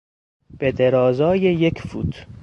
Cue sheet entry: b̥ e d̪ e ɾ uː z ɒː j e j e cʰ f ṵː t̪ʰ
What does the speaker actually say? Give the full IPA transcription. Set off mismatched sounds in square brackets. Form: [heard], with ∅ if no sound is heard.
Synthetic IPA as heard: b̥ e d̪ e ɾ [ɒː] z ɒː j e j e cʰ f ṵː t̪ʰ